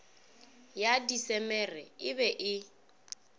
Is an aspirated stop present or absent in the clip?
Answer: absent